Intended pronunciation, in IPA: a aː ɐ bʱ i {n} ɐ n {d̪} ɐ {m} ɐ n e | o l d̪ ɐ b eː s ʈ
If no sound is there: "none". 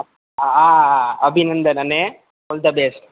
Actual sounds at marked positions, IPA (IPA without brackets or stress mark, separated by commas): n, d̪, n